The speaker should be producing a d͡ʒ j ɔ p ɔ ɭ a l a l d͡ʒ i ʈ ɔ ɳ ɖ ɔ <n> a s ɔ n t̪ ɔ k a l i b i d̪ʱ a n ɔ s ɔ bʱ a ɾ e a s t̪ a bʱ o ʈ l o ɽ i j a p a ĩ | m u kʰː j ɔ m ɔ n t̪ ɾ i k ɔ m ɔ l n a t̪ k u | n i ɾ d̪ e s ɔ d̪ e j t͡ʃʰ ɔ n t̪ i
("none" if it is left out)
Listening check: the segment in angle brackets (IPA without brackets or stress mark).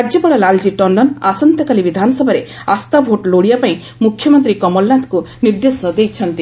n